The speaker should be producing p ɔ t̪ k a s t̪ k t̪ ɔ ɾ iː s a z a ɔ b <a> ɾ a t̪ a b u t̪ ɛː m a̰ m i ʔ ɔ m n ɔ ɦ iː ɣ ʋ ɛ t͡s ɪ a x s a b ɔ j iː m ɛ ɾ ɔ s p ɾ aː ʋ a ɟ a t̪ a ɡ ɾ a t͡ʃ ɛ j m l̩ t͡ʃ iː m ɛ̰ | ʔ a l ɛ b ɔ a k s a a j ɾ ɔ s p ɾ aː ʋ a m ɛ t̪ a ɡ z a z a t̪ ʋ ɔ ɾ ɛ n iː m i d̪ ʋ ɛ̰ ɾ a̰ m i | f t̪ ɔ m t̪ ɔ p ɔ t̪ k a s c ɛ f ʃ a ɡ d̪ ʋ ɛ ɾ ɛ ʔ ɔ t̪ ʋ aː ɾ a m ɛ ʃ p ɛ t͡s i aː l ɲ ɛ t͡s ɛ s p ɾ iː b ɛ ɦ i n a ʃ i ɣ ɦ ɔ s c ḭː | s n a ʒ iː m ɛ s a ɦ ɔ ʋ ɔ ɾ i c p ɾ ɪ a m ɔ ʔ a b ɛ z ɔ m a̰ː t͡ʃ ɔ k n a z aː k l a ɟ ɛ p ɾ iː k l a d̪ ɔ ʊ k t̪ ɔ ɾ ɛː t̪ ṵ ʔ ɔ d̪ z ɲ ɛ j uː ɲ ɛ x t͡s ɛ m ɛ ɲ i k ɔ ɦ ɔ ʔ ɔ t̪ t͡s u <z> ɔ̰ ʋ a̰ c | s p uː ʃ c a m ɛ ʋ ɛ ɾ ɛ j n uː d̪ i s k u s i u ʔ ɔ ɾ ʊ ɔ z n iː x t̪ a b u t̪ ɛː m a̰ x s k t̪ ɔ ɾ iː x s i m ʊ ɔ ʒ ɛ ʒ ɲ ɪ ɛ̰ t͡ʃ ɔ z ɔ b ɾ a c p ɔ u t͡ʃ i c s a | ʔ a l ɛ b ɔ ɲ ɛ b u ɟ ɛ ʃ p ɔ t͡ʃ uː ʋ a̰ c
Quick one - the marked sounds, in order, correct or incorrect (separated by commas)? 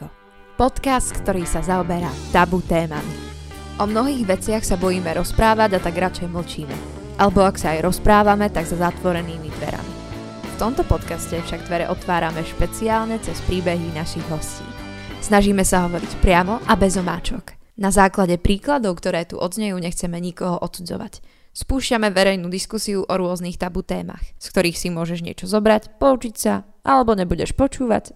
incorrect, incorrect